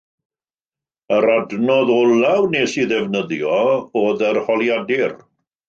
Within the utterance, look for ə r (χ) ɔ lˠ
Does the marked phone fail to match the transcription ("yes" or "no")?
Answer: yes